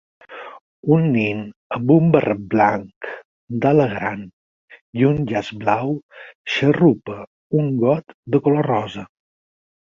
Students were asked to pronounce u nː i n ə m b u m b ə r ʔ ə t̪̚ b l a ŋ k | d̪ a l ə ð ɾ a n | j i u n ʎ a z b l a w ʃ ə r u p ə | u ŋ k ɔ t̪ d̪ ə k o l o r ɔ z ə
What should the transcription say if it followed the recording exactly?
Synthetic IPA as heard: u nː i n ə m b u m b ə r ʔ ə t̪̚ b l a ŋ k | d̪ a l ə ɣ ɾ a n | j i u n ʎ a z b l a w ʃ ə r u p ə | u ŋ ɡ ɔ t̪ d̪ ə k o l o r ɔ z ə